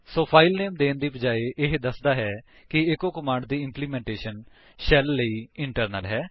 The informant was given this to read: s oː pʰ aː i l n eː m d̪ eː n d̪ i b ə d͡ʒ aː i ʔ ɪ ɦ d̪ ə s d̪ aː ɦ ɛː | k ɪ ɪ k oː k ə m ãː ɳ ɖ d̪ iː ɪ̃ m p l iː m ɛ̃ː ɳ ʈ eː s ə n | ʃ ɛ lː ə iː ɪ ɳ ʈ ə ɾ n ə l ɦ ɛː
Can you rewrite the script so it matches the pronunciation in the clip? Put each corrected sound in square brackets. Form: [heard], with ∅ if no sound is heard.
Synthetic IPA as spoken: s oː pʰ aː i l n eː m d̪ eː n d̪ [iː] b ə d͡ʒ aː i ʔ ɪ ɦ d̪ ə s d̪ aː ɦ ɛː | k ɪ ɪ k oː k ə m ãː ɳ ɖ d̪ iː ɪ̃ m p l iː m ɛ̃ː ɳ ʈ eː [ʃ] ə n | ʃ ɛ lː ə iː ɪ ɳ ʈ ə ɾ n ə l ɦ ɛː